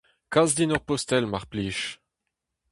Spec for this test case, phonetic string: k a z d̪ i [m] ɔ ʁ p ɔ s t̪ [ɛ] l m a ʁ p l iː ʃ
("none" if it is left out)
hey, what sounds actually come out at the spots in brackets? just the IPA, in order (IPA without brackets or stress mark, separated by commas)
n, ɛ